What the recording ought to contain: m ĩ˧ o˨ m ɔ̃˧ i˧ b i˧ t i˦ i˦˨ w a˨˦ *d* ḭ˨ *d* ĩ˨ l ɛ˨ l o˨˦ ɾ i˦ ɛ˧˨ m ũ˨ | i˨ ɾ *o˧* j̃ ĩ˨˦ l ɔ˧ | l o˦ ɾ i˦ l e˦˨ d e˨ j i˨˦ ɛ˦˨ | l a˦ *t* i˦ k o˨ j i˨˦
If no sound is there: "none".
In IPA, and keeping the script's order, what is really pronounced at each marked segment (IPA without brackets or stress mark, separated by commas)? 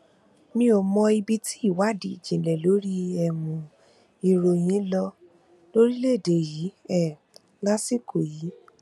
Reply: d, d͡ʒ, o˧, s